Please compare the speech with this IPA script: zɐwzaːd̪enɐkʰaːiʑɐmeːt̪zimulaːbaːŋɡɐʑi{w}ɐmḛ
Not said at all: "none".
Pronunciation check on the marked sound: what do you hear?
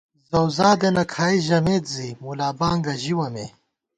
w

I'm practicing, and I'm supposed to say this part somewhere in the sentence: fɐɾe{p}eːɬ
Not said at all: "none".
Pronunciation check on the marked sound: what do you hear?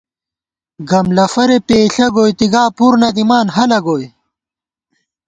p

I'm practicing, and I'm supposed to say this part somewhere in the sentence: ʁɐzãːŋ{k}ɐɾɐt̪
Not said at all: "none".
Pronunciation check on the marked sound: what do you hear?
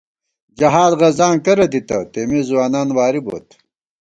k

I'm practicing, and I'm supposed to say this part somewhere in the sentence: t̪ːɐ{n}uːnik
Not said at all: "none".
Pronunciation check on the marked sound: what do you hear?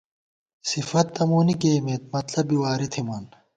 m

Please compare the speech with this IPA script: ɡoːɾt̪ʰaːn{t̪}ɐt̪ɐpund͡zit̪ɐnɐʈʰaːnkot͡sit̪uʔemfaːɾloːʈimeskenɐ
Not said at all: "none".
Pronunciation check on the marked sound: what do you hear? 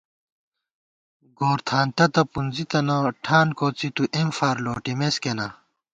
t̪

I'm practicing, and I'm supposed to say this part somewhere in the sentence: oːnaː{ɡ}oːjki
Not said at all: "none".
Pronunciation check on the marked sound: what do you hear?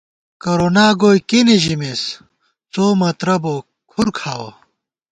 ɡ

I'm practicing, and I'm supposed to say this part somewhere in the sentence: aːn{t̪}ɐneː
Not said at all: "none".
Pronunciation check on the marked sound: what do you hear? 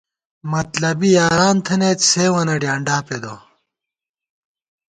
t̪ʰ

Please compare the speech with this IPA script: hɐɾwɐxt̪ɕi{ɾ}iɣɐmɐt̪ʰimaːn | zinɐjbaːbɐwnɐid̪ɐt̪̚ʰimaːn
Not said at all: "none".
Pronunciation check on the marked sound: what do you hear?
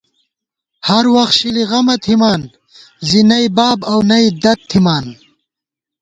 l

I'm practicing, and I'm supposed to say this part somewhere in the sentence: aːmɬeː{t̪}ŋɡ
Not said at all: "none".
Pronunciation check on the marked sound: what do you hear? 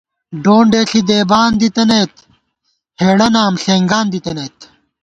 none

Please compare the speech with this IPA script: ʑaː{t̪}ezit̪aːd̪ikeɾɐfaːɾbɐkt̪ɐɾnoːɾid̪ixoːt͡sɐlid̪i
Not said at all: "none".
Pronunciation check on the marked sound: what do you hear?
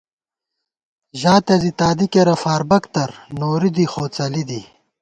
t̪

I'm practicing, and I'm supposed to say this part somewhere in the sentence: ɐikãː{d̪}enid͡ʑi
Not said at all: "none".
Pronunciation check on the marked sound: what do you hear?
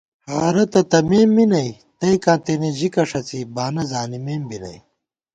t̪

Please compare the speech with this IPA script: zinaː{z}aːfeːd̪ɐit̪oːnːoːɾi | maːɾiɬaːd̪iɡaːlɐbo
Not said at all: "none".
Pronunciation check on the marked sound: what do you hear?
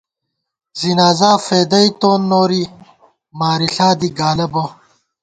z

